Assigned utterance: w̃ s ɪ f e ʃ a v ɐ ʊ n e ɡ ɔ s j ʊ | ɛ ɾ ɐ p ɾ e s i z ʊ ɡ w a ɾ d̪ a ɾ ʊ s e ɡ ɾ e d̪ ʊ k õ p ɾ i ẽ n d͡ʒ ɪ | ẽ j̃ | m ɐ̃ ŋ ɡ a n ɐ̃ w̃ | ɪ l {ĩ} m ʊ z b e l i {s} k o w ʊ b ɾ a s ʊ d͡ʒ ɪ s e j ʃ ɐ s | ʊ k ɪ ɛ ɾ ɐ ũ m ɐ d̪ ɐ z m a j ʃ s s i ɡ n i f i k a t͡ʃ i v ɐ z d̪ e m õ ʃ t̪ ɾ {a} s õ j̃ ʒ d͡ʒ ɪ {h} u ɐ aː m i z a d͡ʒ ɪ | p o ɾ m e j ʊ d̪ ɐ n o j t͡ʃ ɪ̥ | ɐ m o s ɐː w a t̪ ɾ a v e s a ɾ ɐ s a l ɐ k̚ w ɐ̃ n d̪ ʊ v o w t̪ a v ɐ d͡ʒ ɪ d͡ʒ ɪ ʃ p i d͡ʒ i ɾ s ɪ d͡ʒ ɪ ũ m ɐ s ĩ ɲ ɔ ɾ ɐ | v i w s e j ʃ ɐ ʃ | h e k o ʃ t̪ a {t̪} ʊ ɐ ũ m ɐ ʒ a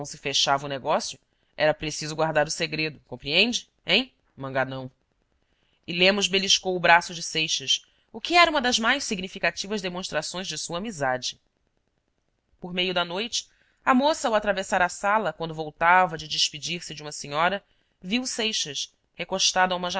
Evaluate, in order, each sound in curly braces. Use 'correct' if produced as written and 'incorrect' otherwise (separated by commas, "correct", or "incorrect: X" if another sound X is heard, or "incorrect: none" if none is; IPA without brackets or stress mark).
incorrect: ẽ, incorrect: ʃ, correct, incorrect: s, incorrect: d̪